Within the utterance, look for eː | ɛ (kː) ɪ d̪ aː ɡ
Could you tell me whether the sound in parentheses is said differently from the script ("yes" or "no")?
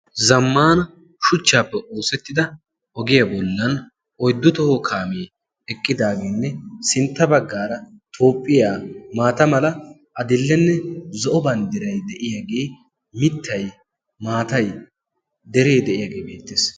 yes